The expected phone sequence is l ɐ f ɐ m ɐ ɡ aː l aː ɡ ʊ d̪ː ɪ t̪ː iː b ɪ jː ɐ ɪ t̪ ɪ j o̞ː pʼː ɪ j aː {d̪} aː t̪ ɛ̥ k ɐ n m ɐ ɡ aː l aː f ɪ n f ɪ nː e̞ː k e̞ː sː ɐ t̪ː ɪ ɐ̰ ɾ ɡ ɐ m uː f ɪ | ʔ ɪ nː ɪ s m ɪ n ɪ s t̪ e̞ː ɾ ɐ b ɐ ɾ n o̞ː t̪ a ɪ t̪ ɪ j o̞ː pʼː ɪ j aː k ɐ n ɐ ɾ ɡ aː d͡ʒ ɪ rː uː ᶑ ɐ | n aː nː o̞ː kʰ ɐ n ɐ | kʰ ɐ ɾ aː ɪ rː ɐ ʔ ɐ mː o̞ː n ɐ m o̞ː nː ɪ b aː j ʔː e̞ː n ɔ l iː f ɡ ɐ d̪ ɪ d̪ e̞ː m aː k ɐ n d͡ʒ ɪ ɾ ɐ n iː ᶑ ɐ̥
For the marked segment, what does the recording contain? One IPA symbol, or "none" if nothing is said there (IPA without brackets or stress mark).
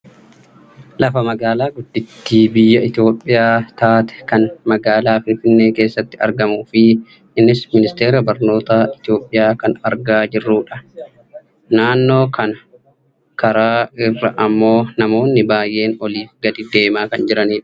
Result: t̪